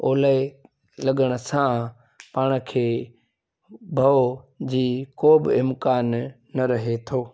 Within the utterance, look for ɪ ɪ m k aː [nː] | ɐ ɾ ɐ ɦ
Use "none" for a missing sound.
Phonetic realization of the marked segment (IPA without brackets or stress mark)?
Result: nː